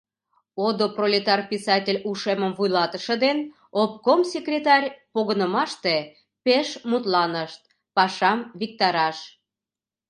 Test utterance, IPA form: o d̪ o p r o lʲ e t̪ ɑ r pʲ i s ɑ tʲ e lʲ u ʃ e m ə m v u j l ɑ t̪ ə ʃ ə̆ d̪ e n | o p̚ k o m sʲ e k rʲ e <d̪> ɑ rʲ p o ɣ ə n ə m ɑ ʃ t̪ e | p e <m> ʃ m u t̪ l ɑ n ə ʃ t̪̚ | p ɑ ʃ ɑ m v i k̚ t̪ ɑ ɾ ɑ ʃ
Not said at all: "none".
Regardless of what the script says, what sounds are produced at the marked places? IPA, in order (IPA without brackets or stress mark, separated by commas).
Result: t̪, none